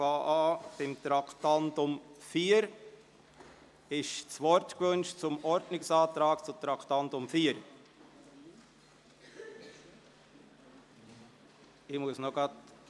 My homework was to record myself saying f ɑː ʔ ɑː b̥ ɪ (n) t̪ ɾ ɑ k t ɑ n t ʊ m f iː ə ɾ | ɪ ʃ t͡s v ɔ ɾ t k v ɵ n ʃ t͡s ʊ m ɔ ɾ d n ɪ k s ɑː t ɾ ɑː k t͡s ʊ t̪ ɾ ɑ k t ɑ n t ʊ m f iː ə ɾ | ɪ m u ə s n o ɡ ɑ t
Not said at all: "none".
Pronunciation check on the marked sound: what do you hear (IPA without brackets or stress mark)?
m